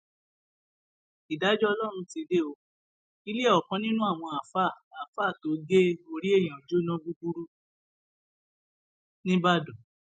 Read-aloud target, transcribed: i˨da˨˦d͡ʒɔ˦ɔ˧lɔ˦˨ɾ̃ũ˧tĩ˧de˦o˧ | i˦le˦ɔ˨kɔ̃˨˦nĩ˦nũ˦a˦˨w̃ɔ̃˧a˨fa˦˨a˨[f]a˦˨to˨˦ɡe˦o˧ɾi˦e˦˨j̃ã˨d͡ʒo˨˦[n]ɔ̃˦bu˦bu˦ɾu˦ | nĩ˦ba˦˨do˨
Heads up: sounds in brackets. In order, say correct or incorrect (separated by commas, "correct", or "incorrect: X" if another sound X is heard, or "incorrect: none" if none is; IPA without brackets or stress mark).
correct, correct